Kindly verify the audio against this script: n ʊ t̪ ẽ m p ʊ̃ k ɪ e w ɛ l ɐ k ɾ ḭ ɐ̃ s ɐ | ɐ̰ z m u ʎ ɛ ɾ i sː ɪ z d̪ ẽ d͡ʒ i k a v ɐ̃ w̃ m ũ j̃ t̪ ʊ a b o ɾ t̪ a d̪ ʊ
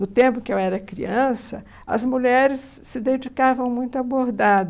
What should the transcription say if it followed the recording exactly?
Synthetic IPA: n ʊ t̪ ẽ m p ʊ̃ k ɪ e w ɛ ɾ ɐ k ɾ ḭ ɐ̃ s ɐ | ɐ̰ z m u ʎ ɛ ɾ ɪ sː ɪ d̪ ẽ d͡ʒ i k a v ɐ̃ w̃ m ũ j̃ t̪ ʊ a b o ɾ d̪ a d̪ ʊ